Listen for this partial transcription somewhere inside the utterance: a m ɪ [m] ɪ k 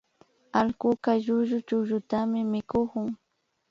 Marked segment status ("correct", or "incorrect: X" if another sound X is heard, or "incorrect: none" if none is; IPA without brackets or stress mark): correct